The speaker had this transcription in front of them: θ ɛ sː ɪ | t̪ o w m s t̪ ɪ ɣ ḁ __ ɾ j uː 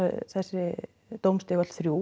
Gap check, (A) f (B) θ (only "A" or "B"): B